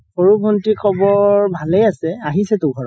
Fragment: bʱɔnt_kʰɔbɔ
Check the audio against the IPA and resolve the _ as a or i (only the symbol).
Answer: i